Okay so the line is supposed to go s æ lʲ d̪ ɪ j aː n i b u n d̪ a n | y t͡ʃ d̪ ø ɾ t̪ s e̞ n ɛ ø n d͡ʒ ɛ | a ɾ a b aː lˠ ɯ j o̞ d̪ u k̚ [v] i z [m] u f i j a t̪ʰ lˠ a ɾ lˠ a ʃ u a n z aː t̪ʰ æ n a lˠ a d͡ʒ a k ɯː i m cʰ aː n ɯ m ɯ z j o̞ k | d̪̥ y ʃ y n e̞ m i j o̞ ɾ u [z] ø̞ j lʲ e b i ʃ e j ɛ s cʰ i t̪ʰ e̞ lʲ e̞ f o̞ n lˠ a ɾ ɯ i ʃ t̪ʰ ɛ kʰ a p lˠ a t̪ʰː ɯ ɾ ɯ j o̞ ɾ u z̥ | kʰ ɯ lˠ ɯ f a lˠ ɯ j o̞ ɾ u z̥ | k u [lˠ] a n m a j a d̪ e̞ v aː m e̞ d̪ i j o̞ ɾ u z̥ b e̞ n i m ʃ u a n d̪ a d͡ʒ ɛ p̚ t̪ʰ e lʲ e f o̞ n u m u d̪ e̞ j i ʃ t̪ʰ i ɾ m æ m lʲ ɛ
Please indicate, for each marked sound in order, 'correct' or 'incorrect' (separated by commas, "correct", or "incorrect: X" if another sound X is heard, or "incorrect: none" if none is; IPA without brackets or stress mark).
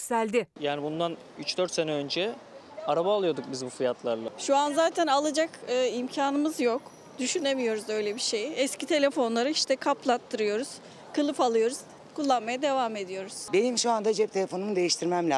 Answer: incorrect: b, incorrect: b, correct, incorrect: lˠː